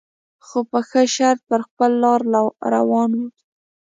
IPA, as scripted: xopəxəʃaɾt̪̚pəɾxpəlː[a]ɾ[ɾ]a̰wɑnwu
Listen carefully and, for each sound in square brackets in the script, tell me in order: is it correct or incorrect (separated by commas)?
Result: incorrect, correct